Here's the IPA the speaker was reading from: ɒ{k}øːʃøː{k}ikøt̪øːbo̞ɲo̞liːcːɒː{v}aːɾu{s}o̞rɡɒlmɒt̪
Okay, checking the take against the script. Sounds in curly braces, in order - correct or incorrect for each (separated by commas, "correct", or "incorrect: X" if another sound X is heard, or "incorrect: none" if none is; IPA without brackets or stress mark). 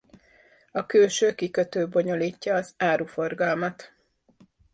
correct, correct, incorrect: z, incorrect: f